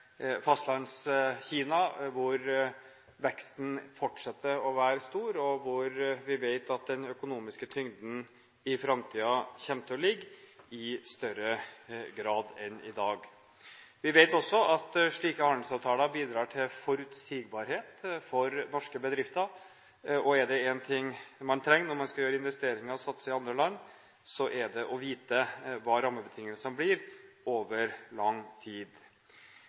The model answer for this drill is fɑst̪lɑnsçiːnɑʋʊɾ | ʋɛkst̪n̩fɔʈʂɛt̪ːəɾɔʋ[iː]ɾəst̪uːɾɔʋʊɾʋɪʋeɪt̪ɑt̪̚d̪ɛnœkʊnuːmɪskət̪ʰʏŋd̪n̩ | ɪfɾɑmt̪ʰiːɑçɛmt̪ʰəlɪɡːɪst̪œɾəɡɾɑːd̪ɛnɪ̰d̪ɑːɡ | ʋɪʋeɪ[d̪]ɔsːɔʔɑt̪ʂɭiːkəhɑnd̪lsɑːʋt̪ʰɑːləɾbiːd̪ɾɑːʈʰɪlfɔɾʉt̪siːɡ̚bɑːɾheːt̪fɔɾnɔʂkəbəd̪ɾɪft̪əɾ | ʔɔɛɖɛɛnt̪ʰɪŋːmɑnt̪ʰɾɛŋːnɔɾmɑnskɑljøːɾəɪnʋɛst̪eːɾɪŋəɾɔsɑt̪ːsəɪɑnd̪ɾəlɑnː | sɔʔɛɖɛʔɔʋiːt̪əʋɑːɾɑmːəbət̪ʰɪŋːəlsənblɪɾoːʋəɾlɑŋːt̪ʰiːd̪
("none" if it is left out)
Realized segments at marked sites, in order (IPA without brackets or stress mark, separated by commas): æː, t̪